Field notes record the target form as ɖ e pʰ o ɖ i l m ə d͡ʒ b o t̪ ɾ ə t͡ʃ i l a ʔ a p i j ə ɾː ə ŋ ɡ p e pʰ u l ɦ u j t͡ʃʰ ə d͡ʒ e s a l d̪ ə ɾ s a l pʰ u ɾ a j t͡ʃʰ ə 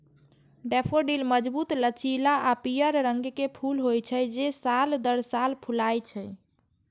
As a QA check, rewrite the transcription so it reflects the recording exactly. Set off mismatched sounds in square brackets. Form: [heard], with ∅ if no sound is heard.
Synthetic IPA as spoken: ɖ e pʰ o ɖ i l m ə d͡ʒ b [u] t̪ [l] ə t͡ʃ i l a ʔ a p i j ə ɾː ə ŋ ɡ [k] e pʰ u l ɦ [o] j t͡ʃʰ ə d͡ʒ e s a l d̪ ə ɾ s a l pʰ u [l] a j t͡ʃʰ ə